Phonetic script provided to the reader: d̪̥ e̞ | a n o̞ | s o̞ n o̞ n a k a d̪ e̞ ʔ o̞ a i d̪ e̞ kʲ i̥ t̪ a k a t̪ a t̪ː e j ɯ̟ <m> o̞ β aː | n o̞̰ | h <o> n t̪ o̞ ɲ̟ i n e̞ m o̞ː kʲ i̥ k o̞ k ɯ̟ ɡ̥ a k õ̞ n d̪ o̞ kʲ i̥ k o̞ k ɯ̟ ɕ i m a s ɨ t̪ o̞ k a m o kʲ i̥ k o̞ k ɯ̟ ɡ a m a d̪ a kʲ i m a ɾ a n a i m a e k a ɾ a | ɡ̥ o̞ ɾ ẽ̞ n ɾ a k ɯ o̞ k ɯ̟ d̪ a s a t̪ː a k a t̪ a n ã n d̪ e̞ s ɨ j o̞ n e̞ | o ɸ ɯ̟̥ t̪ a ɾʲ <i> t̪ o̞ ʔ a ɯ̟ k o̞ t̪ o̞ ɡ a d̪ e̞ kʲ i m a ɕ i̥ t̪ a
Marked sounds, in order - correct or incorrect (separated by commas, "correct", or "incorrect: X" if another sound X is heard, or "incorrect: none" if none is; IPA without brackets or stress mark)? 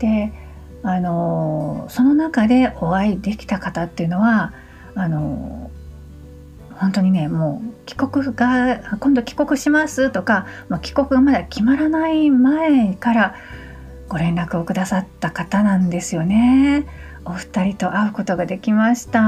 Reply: incorrect: n, incorrect: õ, correct